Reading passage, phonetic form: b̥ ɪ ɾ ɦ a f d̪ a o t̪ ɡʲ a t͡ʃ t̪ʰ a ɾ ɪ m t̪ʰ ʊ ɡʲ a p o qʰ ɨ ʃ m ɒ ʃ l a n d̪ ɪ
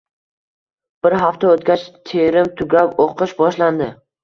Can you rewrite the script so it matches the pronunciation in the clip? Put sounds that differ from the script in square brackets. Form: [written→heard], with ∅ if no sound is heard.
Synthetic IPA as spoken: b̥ ɪ ɾ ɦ a f [d̪→t̪] a o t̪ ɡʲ a t͡ʃ t̪ʰ [a→e] ɾ ɪ m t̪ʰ ʊ ɡʲ a p o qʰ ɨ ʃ [m→b] ɒ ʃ l a n d̪ ɪ